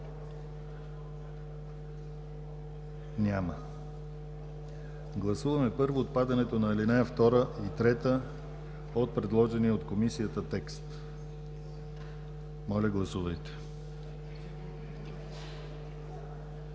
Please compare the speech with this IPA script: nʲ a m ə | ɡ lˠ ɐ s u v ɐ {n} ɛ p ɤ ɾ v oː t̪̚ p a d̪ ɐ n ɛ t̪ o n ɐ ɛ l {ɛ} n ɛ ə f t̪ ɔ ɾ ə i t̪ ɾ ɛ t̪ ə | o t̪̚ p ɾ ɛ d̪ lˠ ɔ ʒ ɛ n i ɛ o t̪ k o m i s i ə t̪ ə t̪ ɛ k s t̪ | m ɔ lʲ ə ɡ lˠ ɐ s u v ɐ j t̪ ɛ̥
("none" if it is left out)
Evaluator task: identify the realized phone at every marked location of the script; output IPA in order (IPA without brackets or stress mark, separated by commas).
m, i